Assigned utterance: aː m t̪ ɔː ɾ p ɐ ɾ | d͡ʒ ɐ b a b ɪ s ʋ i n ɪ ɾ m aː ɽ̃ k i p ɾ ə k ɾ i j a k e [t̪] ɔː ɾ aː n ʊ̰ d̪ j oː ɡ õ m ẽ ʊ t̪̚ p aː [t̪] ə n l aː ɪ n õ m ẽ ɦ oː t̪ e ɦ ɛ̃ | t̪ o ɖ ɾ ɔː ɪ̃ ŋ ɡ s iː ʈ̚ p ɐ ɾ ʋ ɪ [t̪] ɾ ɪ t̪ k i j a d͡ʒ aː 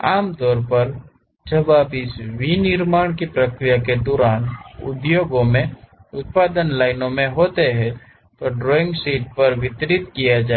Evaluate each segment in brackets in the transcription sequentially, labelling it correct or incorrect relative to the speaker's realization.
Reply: incorrect: d̪, incorrect: d̪, correct

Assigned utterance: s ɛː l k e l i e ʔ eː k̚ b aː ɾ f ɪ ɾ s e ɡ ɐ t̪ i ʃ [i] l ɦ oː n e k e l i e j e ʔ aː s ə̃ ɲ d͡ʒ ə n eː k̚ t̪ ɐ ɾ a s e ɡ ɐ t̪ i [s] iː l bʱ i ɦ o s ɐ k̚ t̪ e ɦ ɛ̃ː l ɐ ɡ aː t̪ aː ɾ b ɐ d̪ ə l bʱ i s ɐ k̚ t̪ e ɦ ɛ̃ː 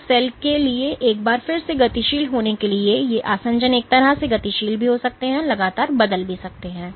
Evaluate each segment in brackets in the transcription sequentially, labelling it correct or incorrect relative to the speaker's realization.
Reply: incorrect: iː, incorrect: ʃ

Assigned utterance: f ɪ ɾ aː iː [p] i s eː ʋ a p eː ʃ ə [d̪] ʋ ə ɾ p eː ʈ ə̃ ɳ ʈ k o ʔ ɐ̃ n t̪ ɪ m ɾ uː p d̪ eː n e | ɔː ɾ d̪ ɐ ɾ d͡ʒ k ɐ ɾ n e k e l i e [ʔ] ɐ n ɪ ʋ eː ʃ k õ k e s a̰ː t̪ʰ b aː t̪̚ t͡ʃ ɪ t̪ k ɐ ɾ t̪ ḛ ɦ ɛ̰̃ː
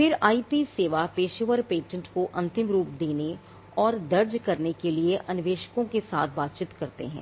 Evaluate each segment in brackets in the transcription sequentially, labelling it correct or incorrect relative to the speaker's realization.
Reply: correct, incorrect: none, correct

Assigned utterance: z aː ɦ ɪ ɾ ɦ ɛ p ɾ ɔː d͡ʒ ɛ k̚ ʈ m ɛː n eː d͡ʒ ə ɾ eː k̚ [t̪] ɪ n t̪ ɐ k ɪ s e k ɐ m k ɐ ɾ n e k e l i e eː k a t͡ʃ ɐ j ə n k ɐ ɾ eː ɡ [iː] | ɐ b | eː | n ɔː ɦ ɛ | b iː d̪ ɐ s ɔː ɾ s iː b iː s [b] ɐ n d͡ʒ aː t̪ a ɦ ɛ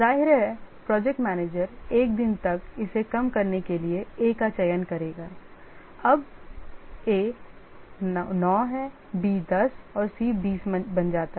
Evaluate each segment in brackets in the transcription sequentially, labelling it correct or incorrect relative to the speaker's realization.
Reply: incorrect: d̪, incorrect: aː, correct

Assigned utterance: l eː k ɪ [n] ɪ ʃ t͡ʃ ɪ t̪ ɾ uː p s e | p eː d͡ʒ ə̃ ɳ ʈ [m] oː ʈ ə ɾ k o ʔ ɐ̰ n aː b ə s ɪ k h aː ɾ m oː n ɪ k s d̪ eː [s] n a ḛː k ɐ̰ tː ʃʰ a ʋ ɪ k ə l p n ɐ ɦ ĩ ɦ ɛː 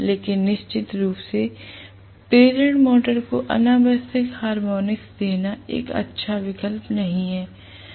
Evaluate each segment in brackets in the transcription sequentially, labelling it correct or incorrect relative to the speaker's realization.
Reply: incorrect: nː, correct, incorrect: none

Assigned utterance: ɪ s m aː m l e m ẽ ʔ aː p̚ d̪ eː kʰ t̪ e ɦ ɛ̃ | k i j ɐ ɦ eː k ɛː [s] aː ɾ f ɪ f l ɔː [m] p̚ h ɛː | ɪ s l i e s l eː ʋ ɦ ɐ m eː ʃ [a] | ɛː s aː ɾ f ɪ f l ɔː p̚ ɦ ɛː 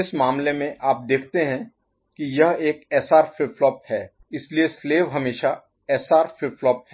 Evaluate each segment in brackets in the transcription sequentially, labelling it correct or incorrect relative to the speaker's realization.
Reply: correct, incorrect: none, correct

